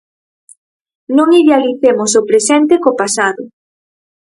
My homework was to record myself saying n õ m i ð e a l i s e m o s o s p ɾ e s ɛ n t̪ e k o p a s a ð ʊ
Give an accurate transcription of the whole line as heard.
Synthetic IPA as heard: n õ ŋ i ð e a l i θ e m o s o p ɾ e s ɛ n t̪ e k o p a s a ð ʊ